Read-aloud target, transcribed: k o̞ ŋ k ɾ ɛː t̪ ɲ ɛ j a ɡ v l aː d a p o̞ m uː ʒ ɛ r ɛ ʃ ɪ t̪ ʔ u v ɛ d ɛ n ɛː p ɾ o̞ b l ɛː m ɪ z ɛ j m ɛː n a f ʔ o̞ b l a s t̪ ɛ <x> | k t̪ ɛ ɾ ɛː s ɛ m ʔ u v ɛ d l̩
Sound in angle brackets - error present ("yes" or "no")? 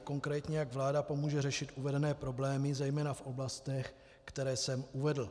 no